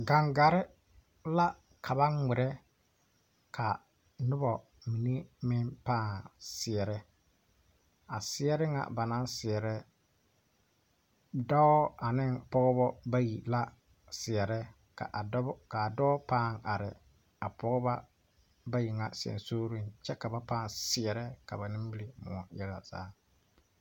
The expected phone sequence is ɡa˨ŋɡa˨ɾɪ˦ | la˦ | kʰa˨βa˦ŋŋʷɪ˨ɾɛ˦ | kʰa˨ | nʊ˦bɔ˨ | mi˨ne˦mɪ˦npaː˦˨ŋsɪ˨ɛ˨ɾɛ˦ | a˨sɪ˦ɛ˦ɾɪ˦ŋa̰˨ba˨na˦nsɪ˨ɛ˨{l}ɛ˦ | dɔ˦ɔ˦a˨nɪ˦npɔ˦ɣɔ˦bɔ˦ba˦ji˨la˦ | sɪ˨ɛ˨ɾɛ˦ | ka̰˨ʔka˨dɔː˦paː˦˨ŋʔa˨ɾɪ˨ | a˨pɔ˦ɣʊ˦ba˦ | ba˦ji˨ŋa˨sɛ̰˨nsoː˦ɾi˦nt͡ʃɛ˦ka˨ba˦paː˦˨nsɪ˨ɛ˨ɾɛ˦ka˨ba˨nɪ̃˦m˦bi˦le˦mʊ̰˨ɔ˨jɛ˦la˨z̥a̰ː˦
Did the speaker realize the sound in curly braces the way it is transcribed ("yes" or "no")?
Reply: no